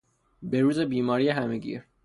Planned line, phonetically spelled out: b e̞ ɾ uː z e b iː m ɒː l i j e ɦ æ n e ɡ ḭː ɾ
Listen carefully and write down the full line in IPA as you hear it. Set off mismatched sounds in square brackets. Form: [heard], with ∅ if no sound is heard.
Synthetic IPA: b e̞ ɾ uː z e b iː m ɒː [ɾ] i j e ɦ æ [m] e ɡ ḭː ɾ